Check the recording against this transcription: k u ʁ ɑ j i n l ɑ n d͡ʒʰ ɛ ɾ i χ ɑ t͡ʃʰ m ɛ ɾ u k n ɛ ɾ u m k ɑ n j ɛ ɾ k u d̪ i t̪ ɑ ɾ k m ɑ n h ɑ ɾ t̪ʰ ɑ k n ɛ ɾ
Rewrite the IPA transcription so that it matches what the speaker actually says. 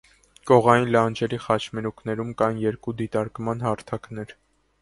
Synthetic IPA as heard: k ɔ ʁ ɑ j i n l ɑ n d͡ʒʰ ɛ ɾ i χ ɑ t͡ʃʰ m ɛ ɾ u k n ɛ ɾ u m k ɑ n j ɛ ɾ k u d̪ i t̪ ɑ ɾ k m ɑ n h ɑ ɾ t̪ʰ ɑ k n ɛ ɾ